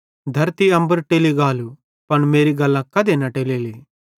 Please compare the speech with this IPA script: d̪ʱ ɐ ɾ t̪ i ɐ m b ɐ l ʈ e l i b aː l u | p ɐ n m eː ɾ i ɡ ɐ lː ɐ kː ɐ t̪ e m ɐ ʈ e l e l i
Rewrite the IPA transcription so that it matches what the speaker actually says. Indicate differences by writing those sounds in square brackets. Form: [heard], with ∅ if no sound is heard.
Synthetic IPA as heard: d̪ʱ ɐ ɾ t̪ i ɐ m b ɐ [ɾ] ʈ e l i [ɡ] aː l u | p ɐ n m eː ɾ i ɡ ɐ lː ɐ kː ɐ [d̪] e [n] ɐ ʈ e l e l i